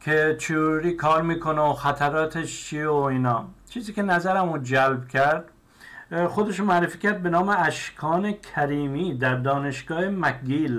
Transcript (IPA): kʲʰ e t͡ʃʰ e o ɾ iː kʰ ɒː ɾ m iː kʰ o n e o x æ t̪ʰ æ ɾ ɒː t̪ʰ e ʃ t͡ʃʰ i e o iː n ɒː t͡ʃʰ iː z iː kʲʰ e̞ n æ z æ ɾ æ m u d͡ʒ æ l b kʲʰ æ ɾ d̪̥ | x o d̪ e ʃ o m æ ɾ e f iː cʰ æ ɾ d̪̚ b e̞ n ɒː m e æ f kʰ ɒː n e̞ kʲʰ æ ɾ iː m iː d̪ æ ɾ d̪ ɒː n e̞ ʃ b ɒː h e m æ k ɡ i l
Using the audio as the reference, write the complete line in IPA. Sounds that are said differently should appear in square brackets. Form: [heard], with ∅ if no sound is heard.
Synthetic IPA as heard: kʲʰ e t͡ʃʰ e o ɾ iː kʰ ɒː ɾ m iː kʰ o n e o x æ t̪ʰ æ ɾ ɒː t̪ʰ e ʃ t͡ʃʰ i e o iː n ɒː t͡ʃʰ iː z iː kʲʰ e̞ n æ z æ ɾ æ m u d͡ʒ æ l b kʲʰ æ ɾ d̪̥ | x o d̪ e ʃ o m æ ɾ e f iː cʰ æ ɾ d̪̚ b e̞ n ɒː m e æ [ʃ] kʰ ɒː n e̞ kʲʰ æ ɾ iː m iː d̪ æ ɾ d̪ ɒː n e̞ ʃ [ɡ] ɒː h e m æ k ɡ i l